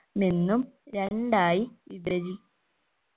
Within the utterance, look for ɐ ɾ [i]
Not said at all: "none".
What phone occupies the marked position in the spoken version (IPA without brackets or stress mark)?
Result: i